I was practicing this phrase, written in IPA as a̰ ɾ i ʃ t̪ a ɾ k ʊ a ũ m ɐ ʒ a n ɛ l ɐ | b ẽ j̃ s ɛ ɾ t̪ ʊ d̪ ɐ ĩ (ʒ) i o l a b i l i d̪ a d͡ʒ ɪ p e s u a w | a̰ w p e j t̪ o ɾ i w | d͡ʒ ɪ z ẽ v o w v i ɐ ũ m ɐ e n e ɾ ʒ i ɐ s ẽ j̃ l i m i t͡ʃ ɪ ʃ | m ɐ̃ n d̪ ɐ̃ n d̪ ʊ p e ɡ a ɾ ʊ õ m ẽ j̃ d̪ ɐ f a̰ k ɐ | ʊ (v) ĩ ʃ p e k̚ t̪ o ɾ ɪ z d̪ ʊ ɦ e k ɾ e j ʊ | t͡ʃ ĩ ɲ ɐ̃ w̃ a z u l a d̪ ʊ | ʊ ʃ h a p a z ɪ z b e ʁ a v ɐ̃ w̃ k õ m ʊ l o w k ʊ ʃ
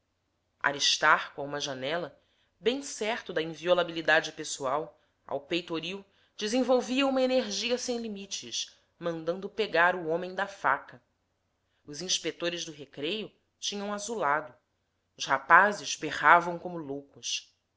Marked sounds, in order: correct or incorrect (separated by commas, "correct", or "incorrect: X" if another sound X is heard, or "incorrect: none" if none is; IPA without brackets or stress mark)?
incorrect: v, incorrect: z